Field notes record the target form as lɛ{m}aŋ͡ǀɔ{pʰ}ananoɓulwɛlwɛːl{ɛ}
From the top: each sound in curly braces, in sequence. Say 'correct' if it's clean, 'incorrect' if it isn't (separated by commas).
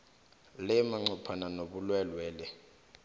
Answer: correct, correct, correct